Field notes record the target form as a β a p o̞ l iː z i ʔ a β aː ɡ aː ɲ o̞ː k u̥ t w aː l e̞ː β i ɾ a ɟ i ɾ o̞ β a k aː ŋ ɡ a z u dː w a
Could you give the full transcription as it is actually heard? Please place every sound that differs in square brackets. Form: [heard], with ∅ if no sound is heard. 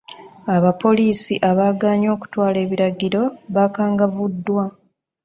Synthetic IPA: a β a p o̞ l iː [s] i ʔ a β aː ɡ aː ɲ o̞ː k u̥ t w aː l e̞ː β i ɾ a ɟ i ɾ o̞ β a k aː ŋ ɡ a [v] u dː w a

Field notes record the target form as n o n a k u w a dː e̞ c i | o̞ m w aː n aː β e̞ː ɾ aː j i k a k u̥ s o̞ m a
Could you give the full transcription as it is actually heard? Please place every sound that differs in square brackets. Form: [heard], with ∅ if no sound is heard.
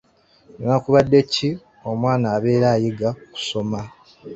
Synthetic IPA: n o n a k u [β] a dː e̞ c i | o̞ m w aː n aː β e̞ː ɾ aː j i [ɡ] a k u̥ s o̞ m a

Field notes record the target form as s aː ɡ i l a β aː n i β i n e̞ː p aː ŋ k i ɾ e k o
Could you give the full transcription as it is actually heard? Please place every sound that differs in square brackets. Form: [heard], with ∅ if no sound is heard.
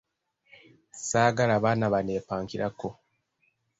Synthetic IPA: s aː ɡ [a] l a β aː n [a] β [a] n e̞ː p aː ŋ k i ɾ [a] k o

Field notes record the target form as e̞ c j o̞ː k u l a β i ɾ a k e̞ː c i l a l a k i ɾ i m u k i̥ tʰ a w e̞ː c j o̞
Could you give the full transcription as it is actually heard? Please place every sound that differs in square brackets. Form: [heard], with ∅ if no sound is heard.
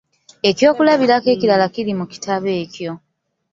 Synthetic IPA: e̞ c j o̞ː k u l a β i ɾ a k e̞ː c i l a l a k i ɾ i m u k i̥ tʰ a [β] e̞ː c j o̞

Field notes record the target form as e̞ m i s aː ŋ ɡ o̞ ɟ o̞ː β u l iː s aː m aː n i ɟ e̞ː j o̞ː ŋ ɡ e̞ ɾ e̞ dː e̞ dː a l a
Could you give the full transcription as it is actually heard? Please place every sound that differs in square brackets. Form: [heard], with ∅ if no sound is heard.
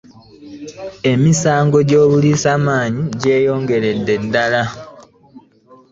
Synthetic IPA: e̞ m i s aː ŋ ɡ o̞ ɟ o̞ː β u l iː s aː m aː [ɲ] i ɟ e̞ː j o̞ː ŋ ɡ e̞ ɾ e̞ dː e̞ dː a l a

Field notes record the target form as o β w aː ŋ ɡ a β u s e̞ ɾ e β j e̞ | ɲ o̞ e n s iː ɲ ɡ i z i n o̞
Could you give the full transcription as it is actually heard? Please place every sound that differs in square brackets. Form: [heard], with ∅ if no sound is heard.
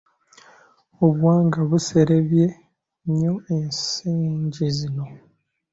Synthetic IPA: o β w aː ŋ ɡ a β u s e̞ ɾ e β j e̞ | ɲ o̞ e n s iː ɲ [ɟ] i z i n o̞

